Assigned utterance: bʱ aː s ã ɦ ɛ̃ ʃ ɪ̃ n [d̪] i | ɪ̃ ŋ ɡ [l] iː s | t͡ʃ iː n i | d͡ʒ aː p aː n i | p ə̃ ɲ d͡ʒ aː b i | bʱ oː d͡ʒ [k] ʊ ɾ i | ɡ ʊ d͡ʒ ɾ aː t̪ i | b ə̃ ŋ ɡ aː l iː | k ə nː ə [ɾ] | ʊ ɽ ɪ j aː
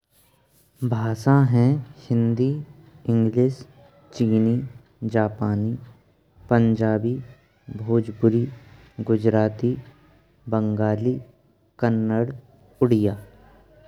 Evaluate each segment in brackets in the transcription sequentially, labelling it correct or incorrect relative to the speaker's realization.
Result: correct, correct, incorrect: p, incorrect: ɽ

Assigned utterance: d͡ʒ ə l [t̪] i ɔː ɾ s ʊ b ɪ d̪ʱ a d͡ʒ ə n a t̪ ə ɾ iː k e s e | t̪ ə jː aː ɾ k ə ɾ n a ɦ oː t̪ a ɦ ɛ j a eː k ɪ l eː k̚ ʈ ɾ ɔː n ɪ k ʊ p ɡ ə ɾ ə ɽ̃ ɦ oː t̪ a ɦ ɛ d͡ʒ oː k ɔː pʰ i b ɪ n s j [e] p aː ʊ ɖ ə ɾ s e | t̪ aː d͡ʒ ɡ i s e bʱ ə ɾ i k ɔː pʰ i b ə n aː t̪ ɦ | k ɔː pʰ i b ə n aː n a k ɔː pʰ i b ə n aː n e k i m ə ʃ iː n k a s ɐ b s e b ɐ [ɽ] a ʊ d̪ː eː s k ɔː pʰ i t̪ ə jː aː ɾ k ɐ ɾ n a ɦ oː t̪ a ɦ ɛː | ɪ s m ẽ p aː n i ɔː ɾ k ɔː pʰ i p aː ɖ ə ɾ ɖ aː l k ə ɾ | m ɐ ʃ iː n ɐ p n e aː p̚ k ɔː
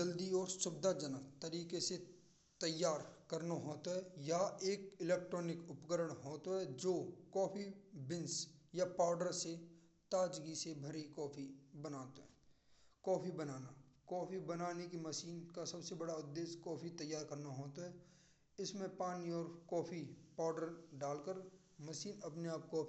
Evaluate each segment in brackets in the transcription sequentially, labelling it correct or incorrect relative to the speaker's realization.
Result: incorrect: d̪, incorrect: a, correct

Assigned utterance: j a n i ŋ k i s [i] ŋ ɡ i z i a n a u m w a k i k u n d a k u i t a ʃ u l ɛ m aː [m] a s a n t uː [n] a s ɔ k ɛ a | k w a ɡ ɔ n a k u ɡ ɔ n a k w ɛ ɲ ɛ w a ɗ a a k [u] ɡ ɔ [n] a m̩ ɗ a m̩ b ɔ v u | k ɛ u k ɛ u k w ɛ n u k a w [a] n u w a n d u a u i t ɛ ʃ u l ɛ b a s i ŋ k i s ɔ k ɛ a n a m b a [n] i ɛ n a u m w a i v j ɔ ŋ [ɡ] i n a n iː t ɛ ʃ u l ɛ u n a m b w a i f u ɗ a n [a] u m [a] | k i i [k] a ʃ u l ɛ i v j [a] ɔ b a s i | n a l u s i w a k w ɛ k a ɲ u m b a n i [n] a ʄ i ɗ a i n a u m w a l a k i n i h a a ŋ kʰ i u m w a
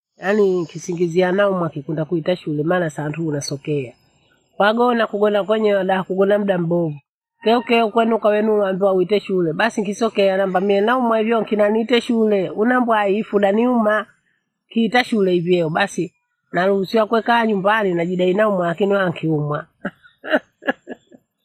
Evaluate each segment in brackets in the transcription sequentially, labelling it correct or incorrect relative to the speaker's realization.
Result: correct, incorrect: n, correct, correct, correct, incorrect: ɛ, incorrect: m, incorrect: k, incorrect: i, correct, incorrect: t, incorrect: ɛ, correct

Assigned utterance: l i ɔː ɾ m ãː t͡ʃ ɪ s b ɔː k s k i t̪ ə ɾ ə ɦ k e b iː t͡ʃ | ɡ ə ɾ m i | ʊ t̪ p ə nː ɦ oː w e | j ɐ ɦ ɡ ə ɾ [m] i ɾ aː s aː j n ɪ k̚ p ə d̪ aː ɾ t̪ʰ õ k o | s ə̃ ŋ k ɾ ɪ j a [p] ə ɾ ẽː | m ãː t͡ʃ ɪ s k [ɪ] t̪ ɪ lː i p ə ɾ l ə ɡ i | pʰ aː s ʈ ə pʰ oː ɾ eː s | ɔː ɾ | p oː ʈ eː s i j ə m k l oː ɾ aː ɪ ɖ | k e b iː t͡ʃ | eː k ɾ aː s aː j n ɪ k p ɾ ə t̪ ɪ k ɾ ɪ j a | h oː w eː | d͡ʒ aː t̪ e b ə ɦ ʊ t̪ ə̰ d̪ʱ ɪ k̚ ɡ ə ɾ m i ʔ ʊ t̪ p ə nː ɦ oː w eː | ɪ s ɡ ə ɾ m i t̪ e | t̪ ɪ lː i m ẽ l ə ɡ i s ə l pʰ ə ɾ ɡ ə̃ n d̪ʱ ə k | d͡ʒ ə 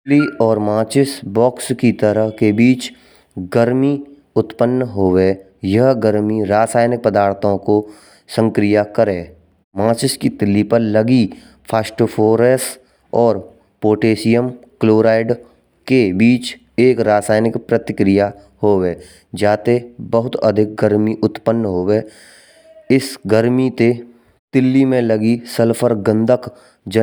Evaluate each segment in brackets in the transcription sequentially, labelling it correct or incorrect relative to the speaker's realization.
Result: correct, incorrect: k, incorrect: i

